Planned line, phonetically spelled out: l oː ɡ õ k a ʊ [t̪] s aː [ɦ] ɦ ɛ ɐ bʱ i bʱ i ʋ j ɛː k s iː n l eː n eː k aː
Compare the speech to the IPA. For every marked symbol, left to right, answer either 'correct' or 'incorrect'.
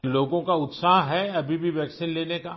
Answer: correct, correct

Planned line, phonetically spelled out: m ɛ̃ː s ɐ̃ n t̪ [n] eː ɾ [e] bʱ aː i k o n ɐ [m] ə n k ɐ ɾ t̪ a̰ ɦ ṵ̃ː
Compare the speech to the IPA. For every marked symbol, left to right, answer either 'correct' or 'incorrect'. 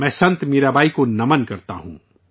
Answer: incorrect, incorrect, correct

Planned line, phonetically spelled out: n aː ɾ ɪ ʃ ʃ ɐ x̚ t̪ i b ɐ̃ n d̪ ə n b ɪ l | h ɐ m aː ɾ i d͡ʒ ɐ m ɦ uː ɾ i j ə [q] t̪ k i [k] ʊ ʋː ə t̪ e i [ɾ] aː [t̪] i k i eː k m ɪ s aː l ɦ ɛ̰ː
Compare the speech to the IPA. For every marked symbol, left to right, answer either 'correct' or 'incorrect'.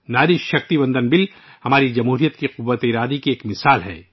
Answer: incorrect, incorrect, correct, incorrect

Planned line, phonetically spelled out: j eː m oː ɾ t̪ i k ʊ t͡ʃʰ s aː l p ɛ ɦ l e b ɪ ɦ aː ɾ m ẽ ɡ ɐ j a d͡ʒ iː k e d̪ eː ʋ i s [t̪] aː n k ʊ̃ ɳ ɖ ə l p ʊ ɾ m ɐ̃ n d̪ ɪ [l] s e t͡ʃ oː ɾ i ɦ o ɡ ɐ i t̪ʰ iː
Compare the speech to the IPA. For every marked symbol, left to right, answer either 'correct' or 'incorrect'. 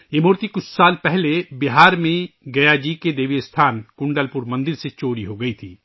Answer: incorrect, incorrect

